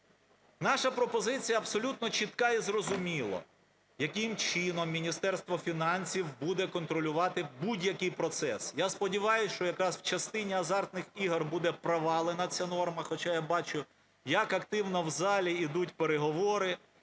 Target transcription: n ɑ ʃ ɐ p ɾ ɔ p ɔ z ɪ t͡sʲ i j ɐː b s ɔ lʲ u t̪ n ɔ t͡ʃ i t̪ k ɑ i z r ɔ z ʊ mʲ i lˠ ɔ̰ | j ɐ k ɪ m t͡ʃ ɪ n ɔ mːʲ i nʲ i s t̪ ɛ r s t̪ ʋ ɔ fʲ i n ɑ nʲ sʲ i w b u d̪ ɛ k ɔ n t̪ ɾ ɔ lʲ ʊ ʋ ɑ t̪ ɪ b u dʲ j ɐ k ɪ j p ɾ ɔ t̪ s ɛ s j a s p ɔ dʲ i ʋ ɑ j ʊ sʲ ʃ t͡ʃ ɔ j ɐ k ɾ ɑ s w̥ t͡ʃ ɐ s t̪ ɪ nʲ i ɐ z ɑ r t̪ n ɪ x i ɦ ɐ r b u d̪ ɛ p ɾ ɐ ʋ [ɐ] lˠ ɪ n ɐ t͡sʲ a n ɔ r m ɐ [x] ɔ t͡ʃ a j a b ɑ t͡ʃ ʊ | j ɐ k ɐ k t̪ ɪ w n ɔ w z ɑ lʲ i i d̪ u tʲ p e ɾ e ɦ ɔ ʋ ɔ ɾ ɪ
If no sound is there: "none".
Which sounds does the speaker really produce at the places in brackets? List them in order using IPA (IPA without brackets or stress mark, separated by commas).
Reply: ɑ, x